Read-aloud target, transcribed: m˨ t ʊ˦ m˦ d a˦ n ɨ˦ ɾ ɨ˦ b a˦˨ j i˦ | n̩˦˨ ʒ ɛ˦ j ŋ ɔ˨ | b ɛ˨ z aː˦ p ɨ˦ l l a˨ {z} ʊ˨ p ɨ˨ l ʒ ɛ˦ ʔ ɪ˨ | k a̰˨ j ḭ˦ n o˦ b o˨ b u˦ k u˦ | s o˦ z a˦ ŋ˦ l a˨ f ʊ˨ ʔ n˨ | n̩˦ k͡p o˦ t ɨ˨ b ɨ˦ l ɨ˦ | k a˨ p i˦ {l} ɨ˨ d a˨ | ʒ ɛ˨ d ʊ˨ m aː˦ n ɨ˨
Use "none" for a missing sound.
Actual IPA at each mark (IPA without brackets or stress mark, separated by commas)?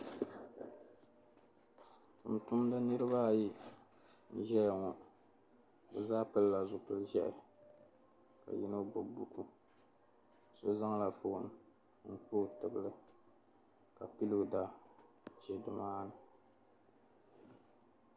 z, l